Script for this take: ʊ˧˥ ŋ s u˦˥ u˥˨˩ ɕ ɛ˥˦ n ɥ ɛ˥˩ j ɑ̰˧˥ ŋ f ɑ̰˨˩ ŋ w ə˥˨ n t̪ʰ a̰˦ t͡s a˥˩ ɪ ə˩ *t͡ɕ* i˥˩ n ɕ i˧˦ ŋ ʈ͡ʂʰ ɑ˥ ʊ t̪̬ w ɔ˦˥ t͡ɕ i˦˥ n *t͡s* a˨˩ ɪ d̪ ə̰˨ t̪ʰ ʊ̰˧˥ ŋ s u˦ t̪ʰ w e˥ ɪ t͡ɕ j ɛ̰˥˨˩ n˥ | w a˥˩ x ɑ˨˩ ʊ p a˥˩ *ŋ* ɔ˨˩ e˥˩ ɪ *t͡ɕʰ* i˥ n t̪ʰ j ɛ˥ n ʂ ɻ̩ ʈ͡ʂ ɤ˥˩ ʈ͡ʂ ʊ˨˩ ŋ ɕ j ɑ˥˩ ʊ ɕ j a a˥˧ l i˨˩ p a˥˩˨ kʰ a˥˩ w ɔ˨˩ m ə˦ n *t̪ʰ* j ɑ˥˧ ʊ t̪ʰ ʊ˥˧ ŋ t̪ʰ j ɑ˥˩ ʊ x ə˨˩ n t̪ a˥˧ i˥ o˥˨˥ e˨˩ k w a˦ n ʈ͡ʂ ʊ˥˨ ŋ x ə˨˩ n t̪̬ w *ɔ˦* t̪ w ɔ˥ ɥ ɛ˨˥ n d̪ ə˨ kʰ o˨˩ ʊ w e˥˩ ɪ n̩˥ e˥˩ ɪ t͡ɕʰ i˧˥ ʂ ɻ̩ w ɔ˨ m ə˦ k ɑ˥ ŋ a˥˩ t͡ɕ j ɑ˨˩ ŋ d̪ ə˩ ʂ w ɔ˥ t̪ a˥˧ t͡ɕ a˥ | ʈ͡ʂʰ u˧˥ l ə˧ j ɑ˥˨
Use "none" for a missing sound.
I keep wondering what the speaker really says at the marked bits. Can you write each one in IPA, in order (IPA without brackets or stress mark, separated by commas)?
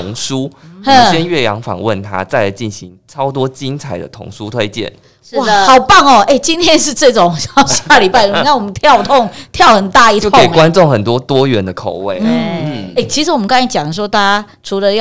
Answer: t͡ɕ, t͡sʰ, ŋ, t͡ɕ, t̪ʰ, ɔ˦